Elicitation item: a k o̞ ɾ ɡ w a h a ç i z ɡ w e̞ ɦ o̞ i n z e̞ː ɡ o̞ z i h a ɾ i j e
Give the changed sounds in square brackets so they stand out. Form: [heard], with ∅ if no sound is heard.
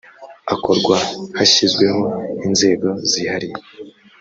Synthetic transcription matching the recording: a k o̞ ɾ ɡ w a h a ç i z ɡ w e̞ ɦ o̞ i n z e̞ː ɡ o̞ z i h a ɾ i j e